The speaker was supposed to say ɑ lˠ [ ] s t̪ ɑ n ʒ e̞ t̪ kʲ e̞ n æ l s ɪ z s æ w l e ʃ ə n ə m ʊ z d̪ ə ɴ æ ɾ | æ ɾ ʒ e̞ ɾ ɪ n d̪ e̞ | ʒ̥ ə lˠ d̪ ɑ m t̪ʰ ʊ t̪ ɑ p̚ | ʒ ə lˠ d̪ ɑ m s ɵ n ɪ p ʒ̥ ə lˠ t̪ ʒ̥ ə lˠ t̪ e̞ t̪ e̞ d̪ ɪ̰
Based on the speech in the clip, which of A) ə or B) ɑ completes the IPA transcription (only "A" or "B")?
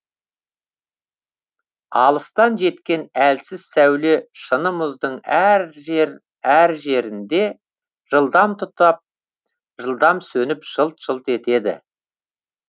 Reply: A